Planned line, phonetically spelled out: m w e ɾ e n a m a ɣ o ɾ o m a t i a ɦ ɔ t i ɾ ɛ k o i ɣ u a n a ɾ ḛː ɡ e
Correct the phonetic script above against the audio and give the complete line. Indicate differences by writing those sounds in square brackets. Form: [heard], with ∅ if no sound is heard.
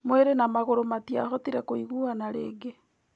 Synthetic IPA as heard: m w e ɾ e n a m a ɣ o ɾ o m a t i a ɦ ɔ t i ɾ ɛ k o i ɣ u a n a ɾ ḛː ɡ e